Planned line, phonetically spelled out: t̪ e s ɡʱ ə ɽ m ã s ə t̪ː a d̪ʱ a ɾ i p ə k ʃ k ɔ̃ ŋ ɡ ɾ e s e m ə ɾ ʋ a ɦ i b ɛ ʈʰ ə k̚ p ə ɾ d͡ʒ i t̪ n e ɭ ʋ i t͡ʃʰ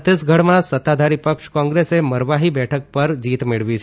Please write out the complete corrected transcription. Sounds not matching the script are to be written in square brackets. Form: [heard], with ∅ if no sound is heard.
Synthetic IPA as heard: t̪ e s ɡʱ ə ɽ m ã s ə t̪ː a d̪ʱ a ɾ i p ə k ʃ k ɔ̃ ŋ ɡ ɾ e s e m ə ɾ ʋ a ɦ i b ɛ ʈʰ ə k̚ p ə ɾ d͡ʒ i t̪ [m] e ɭ ʋ i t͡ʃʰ